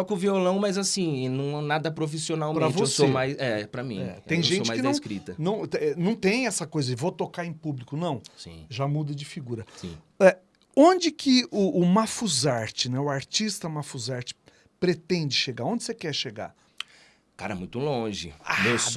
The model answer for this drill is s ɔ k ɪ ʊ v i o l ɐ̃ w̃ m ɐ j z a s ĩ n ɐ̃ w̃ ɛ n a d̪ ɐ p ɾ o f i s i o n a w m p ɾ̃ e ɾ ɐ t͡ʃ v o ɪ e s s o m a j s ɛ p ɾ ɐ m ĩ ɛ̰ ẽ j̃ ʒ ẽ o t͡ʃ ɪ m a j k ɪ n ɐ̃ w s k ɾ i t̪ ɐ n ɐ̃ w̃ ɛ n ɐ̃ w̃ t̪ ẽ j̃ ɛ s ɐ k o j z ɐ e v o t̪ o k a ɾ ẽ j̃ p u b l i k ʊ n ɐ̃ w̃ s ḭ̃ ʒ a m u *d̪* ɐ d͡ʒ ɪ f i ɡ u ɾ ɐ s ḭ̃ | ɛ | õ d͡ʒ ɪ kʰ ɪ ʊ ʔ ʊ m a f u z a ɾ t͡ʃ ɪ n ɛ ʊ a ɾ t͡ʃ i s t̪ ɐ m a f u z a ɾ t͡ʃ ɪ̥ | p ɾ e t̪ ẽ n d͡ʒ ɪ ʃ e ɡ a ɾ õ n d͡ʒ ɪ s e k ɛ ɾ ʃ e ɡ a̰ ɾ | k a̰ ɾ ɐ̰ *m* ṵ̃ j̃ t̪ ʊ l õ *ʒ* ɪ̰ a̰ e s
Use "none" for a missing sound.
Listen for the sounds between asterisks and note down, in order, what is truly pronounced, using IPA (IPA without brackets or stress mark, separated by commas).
d̪, m, ʒ